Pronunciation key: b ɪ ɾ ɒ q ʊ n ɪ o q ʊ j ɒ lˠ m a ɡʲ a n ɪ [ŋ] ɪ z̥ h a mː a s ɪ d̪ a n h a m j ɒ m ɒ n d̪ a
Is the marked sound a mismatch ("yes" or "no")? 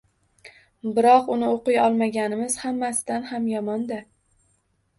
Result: yes